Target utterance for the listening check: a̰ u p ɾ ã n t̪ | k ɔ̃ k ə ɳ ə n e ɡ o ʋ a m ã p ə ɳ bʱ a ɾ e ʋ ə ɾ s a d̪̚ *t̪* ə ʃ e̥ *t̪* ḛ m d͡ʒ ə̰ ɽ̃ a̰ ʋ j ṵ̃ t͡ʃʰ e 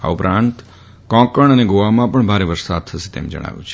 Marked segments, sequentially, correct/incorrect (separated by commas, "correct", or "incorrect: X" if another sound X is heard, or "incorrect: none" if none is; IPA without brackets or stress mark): incorrect: t̪ʰ, correct